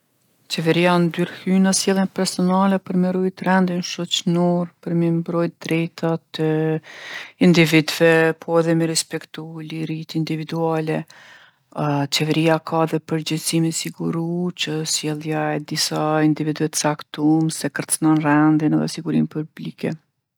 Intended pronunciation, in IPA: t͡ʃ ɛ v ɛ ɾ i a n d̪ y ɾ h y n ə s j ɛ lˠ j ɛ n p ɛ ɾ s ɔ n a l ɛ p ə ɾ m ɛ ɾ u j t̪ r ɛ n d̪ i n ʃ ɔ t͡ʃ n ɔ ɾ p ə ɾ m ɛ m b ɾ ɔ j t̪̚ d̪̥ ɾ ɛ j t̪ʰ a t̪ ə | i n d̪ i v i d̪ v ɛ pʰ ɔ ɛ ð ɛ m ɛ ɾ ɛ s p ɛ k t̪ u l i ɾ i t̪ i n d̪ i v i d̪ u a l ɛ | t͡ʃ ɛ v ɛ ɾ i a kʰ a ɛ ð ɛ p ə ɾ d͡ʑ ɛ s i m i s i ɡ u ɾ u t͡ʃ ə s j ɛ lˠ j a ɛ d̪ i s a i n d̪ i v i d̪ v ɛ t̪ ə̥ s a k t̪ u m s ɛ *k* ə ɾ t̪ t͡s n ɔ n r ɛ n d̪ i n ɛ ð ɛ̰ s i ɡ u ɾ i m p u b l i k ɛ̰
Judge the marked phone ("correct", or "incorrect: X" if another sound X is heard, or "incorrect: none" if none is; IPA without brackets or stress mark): correct